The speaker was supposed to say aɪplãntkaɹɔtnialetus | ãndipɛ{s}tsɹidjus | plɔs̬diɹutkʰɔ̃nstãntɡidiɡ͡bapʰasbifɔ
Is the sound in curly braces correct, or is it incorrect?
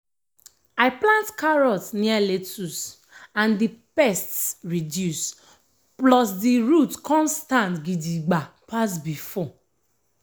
correct